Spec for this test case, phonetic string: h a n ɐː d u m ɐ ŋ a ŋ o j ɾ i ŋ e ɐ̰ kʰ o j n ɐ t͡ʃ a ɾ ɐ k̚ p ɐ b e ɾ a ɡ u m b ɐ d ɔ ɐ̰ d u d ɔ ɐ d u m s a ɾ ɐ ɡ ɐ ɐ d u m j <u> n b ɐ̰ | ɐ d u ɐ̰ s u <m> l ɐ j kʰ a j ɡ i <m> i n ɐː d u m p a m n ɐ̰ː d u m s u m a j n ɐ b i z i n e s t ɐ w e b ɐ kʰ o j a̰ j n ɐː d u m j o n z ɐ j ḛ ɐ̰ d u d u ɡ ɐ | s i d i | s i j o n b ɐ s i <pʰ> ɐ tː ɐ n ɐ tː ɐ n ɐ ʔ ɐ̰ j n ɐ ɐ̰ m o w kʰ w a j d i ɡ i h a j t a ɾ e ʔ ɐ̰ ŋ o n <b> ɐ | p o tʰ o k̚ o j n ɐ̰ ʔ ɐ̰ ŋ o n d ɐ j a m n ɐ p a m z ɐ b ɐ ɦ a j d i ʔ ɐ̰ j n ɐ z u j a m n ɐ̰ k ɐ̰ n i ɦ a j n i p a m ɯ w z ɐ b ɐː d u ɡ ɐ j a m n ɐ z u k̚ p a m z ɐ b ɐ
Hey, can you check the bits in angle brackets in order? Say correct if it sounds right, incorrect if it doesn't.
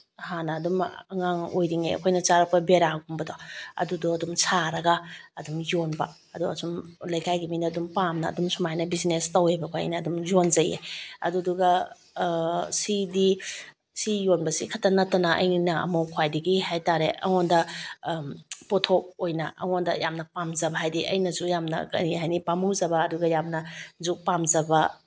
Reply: incorrect: o, correct, correct, incorrect: kʰ, incorrect: d

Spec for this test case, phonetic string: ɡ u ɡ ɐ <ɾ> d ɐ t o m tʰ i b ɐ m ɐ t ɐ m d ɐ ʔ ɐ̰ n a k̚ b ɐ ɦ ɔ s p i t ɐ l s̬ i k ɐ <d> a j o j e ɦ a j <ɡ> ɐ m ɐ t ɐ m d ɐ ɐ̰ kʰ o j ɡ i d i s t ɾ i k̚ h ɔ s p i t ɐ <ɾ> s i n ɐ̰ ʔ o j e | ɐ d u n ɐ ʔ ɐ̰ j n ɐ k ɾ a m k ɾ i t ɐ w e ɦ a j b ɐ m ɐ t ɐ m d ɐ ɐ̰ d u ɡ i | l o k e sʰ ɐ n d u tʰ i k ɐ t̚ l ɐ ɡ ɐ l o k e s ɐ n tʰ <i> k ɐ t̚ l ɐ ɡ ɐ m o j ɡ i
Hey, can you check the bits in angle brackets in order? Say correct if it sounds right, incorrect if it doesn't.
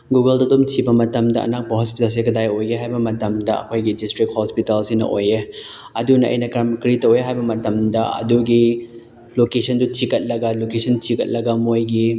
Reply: incorrect: l, correct, incorrect: b, incorrect: l, correct

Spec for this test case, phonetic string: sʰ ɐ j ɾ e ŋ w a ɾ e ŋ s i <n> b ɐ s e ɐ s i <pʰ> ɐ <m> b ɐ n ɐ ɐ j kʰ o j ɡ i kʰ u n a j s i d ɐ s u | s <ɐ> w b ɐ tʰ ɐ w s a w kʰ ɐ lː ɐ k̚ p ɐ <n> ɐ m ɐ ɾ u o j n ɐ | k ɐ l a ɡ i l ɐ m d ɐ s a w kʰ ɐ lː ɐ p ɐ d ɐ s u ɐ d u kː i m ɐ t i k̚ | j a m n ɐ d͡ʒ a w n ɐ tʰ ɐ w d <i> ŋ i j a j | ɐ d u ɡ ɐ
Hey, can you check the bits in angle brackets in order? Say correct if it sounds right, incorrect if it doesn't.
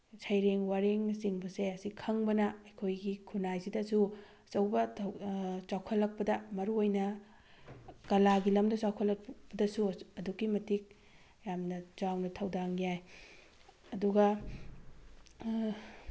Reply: incorrect: ŋ, incorrect: kʰ, incorrect: ŋ, correct, incorrect: d, incorrect: a

